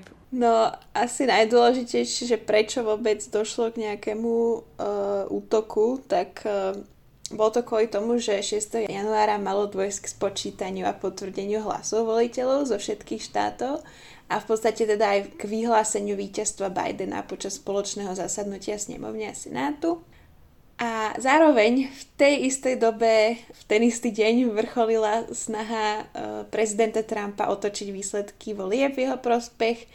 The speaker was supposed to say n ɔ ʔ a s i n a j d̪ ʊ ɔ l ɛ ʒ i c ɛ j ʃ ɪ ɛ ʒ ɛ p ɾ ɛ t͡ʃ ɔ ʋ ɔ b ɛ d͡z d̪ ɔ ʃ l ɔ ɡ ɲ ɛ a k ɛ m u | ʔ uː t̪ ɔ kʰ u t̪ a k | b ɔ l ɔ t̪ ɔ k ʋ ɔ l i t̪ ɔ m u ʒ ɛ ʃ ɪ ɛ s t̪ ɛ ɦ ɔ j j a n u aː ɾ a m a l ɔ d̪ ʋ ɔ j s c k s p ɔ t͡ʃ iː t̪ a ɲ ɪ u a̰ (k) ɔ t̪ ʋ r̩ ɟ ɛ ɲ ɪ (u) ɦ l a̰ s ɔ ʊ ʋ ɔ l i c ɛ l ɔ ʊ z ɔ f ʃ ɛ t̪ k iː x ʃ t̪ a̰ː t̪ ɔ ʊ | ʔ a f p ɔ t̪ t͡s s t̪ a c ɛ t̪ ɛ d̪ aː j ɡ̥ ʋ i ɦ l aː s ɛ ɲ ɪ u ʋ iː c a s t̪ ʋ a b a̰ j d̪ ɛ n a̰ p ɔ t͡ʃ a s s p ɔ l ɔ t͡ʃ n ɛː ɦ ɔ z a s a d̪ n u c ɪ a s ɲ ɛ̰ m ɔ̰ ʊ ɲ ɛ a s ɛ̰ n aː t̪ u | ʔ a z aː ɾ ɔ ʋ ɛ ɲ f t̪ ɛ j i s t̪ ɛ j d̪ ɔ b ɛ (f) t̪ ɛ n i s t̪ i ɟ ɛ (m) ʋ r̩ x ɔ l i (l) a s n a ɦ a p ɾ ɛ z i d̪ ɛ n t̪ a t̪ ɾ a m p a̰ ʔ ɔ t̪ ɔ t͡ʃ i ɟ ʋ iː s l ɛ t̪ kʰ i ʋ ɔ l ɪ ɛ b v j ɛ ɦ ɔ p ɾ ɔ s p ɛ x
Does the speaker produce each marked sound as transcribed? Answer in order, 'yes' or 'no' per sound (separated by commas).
no, yes, yes, no, yes